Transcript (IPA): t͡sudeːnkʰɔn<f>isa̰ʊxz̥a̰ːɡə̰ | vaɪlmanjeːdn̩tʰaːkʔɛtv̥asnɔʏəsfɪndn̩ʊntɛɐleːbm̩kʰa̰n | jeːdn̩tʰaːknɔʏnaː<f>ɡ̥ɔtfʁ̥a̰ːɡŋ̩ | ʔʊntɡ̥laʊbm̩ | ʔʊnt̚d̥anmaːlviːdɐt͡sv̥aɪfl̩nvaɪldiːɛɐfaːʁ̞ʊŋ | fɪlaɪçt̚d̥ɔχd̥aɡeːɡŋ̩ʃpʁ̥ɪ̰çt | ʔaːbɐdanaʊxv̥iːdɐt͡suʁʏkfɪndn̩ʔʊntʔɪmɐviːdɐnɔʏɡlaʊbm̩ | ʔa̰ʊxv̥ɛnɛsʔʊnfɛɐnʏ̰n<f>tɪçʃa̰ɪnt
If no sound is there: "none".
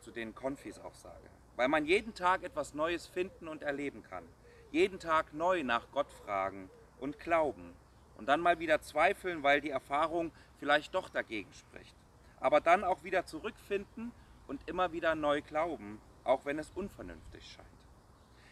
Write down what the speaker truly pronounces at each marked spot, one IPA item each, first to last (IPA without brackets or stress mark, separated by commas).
f, χ, f